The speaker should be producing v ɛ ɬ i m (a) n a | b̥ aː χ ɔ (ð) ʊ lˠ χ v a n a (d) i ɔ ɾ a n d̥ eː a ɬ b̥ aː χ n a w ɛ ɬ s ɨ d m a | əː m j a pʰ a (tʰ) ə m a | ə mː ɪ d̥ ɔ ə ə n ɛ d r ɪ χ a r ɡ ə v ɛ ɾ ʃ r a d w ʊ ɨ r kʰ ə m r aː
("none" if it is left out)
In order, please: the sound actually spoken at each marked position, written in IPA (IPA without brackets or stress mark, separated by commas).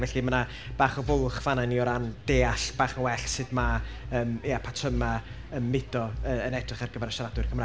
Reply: ə, v, n, tʰ